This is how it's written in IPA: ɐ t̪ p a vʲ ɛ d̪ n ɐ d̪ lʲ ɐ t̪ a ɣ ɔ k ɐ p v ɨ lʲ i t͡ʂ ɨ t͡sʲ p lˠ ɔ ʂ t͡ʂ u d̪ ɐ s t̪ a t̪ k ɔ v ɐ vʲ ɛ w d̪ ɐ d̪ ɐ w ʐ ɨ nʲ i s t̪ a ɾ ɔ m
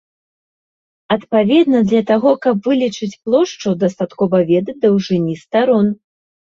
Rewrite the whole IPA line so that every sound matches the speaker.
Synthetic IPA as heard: ɐ t̪ p a vʲ ɛ d̪ n ɐ d̪ lʲ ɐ t̪ a ɣ ɔ k ɐ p v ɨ lʲ i t͡ʂ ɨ t͡sʲ p lˠ ɔ ʂ t͡ʂ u d̪ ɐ s t̪ a t̪ k ɔ v ɐ vʲ ɛ d̪ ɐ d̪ ɐ w ʐ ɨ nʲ i s t̪ a ɾ ɔ n